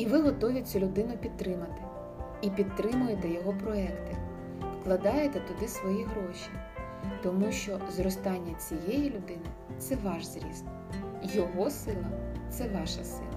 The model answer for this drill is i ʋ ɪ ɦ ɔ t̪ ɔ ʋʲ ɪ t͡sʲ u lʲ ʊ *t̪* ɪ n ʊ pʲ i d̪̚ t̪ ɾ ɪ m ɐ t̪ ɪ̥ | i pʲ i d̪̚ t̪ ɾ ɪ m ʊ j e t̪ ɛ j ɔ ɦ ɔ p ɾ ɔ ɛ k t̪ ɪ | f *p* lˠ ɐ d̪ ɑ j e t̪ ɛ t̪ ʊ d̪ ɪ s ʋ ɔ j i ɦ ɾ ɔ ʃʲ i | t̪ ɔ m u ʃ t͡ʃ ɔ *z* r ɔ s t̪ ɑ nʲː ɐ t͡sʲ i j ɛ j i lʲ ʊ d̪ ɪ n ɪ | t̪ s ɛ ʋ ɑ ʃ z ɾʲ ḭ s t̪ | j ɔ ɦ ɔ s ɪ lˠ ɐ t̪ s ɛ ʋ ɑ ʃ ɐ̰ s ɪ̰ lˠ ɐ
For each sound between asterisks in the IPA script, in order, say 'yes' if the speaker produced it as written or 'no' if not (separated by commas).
no, no, yes